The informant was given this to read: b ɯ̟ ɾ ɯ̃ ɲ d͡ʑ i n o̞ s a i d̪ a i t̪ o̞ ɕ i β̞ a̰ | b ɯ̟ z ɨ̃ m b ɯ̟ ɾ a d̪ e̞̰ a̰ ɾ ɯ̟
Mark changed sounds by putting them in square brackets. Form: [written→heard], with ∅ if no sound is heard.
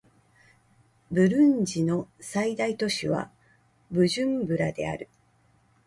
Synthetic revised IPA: b ɯ̟ ɾ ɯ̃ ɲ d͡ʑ i n o̞ s a i d̪ a i t̪ o̞ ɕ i β̞ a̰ | b ɯ̟ [z→ʑ] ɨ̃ m b ɯ̟ ɾ a d̪ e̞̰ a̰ ɾ ɯ̟

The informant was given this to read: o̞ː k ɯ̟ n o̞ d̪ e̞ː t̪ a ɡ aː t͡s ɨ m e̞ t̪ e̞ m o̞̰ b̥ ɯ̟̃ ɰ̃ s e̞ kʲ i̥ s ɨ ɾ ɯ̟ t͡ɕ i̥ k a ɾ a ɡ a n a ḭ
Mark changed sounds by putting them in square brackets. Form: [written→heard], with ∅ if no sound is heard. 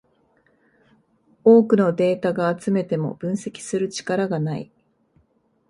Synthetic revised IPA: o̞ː k ɯ̟ n o̞ d̪ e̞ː t̪ a ɡ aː t͡s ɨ m e̞ t̪ e̞ m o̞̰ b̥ ɯ̟̃ ɰ̃ s e̞ kʲ i̥ s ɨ ɾ ɯ̟ t͡ɕ i̥ k a ɾ a ɡ a n a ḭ

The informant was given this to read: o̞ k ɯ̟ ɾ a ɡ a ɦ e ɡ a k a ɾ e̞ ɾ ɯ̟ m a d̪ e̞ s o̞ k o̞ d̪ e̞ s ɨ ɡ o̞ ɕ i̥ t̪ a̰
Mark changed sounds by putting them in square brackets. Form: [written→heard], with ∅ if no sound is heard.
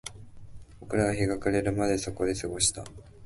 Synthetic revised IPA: o̞ k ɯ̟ ɾ a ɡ a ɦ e ɡ a k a ɾ e̞ ɾ ɯ̟ m a d̪ e̞ s o̞ k o̞ d̪ e̞ s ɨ ɡ o̞ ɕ i̥ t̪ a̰

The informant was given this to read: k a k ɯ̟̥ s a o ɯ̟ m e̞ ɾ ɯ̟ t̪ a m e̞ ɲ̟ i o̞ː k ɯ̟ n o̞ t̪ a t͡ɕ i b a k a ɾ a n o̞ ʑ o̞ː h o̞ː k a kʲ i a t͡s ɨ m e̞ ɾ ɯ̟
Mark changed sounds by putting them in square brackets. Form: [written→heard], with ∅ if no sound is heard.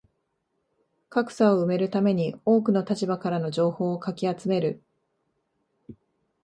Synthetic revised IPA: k a k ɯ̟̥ s a o ɯ̟ m e̞ ɾ ɯ̟ t̪ a m e̞ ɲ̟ i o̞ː k ɯ̟ n o̞ t̪ a t͡ɕ i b a k a ɾ a n o̞ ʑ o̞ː h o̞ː k a kʲ i a t͡s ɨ m e̞ ɾ ɯ̟

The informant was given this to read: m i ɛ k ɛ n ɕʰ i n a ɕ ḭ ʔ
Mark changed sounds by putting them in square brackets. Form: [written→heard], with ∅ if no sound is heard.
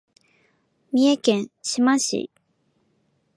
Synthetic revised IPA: m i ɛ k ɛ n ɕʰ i [n→m] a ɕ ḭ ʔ

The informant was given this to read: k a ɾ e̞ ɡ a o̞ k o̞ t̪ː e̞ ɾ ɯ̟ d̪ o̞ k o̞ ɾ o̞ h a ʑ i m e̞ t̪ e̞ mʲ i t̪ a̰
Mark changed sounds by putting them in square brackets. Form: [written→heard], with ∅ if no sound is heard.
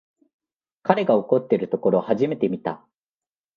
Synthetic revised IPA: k a ɾ e̞ ɡ a o̞ k o̞ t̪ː e̞ ɾ ɯ̟ [d̪→t̪] o̞ k o̞ ɾ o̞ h a ʑ i m e̞ t̪ e̞ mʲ i t̪ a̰

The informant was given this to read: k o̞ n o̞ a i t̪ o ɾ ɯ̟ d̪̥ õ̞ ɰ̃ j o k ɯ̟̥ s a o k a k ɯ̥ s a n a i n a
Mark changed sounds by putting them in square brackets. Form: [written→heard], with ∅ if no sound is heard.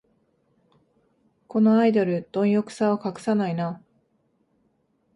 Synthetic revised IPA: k o̞ n o̞ a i [t̪→d̪] o ɾ ɯ̟ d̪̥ õ̞ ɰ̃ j o k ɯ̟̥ s a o k a k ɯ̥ s a n a i n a

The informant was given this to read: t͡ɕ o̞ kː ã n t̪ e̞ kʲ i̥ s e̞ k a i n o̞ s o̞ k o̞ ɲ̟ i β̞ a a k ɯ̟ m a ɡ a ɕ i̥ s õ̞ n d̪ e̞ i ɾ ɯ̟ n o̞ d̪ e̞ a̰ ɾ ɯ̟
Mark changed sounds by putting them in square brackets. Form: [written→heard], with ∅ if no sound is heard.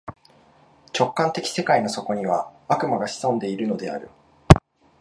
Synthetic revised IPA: t͡ɕ o̞ kː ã n t̪ e̞ kʲ i̥ s e̞ k a i n o̞ s o̞ k o̞ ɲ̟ i β̞ a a k ɯ̟ m a ɡ a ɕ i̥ s õ̞ n d̪ e̞ i ɾ ɯ̟ n o̞ d̪ e̞ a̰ ɾ ɯ̟

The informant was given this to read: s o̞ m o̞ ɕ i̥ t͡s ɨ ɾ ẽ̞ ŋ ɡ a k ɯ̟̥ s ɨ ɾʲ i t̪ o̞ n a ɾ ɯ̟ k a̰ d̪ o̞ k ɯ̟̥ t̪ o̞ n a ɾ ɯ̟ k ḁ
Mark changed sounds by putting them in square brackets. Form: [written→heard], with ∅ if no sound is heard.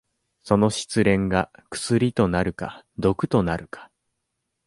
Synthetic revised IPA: s o̞ [m→n] o̞ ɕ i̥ t͡s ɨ ɾ ẽ̞ ŋ ɡ a k ɯ̟̥ s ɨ ɾʲ i t̪ o̞ n a ɾ ɯ̟ k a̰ d̪ o̞ k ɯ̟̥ t̪ o̞ n a ɾ ɯ̟ k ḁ

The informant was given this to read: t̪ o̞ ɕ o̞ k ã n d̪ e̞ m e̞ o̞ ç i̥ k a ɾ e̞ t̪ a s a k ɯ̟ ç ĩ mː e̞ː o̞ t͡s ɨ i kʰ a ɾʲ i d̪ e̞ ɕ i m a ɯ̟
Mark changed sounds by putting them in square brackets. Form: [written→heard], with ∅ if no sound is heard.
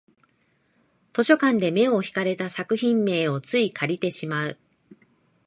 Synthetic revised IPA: t̪ o̞ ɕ o̞ k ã n d̪ e̞ m e̞ o̞ ç i̥ k a ɾ e̞ t̪ a s a k ɯ̟ ç ĩ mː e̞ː o̞ t͡s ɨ i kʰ a ɾʲ i [d̪→t̪] e̞ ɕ i m a ɯ̟

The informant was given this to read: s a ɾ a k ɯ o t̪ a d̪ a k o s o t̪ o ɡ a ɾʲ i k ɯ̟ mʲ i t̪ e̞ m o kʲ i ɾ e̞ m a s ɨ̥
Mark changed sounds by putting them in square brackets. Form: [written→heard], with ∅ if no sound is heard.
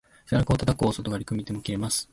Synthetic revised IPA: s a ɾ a k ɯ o t̪ a [d̪→t̪] a k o s o t̪ o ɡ a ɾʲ i k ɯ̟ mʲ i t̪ e̞ m o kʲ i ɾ e̞ m a s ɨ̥

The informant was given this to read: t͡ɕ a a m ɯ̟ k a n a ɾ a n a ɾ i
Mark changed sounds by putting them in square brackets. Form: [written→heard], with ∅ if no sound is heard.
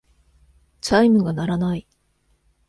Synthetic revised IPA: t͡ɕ a [a→i] m ɯ̟ [k→ɡ] a n a ɾ a n a [ɾ→∅] i

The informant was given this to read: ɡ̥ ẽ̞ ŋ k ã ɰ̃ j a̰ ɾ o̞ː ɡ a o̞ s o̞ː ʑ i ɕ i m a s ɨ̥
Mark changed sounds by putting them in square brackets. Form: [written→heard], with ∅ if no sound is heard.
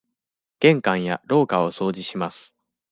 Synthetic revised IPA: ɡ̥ ẽ̞ ŋ k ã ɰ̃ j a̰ ɾ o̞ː [ɡ→k] a o̞ s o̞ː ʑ i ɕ i m a s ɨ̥

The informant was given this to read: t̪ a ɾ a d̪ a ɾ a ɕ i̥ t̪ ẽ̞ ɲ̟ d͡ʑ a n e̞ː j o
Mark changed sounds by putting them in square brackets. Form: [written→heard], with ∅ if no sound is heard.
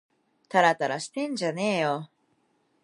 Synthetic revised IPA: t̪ a ɾ a [d̪→t̪] a ɾ a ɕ i̥ t̪ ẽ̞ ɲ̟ d͡ʑ a n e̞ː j o

